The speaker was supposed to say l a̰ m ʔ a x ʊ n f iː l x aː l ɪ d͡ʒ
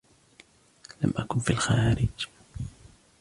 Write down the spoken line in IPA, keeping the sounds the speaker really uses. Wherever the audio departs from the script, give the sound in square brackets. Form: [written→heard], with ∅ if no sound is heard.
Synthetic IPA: l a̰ m ʔ a [x→k] ʊ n f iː l x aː [l→ɾ] ɪ d͡ʒ